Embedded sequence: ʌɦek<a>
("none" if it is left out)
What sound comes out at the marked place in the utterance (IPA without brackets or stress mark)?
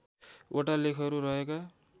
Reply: a